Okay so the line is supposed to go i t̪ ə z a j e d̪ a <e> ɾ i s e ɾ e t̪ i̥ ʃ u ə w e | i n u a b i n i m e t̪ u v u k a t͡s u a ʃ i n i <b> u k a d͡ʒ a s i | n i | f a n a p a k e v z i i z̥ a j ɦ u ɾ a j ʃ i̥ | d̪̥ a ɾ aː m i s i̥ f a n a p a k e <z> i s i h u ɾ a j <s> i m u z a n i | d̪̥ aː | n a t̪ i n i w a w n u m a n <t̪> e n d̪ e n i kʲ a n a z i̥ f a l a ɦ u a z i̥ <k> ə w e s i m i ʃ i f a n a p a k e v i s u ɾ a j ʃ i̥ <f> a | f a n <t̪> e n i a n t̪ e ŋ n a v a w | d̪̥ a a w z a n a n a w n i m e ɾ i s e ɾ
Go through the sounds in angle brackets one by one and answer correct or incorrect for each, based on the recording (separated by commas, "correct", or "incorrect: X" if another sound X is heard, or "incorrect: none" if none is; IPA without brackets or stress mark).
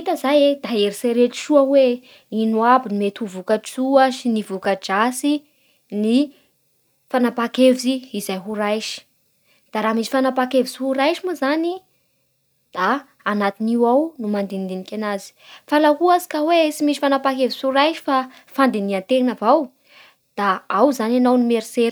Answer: correct, incorrect: v, incorrect: v, incorrect: ʃ, incorrect: d̪, correct, correct, incorrect: d̪